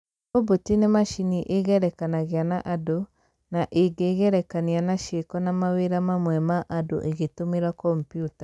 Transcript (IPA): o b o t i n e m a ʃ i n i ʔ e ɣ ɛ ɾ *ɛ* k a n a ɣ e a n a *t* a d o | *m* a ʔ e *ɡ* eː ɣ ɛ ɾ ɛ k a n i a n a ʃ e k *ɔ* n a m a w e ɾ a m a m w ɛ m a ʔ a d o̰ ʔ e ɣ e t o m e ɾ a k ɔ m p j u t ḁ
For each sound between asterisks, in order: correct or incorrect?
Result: correct, incorrect, incorrect, correct, correct

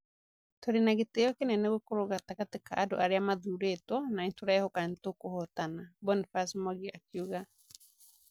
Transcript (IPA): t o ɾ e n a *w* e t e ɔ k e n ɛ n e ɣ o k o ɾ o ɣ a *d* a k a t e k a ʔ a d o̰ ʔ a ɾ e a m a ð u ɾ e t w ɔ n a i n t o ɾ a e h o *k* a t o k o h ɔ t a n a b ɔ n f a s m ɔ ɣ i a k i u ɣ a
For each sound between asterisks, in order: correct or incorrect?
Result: incorrect, incorrect, correct

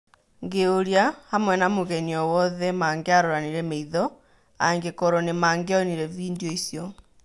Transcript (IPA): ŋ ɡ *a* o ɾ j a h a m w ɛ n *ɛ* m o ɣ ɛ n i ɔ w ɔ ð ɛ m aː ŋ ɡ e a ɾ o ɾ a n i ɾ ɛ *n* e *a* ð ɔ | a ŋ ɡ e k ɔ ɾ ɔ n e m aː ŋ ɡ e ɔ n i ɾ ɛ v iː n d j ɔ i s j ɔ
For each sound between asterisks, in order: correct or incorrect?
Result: incorrect, incorrect, incorrect, incorrect

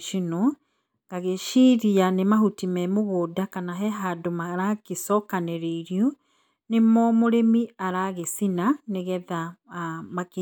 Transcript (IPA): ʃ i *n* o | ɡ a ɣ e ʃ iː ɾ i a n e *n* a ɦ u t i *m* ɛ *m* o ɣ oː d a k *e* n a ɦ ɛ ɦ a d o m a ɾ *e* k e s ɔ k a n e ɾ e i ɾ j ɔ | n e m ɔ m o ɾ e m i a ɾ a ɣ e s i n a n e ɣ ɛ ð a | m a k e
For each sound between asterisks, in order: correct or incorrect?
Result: correct, incorrect, correct, correct, incorrect, incorrect

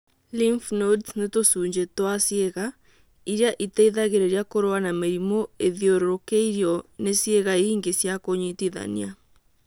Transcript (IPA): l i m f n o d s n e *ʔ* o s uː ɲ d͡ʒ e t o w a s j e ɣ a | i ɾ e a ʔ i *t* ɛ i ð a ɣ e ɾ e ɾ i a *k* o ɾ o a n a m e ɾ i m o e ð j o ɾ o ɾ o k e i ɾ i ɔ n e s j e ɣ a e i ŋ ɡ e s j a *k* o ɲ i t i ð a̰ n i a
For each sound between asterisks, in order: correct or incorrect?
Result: incorrect, correct, correct, correct

